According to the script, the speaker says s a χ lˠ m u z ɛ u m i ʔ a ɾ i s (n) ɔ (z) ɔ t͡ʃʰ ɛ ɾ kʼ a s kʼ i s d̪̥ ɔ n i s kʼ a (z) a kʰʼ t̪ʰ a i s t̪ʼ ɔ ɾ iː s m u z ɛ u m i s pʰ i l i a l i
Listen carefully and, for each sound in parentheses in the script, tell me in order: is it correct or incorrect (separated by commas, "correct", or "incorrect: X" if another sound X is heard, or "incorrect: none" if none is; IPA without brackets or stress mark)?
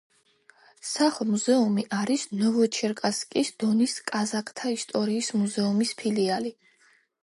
correct, incorrect: v, correct